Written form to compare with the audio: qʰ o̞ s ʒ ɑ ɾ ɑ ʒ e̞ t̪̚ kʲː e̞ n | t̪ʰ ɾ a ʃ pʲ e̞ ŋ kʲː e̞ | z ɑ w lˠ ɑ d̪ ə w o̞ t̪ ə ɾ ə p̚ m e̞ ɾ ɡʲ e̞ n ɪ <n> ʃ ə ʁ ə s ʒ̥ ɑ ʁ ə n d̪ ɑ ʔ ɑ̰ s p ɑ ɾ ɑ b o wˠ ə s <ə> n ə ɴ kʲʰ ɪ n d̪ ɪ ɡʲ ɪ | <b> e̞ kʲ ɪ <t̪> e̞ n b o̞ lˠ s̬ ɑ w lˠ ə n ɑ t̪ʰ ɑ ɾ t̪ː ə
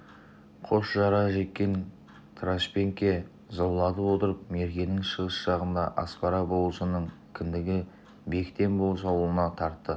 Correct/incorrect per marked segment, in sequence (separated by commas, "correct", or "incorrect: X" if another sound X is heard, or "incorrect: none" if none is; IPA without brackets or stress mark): incorrect: ŋ, correct, correct, correct